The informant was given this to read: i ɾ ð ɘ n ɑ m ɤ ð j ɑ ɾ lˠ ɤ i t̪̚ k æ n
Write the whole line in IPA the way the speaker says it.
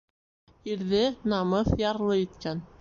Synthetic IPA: i ɾ ð ɘ n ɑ m ɤ θ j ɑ ɾ lˠ ɤ i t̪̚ k æ n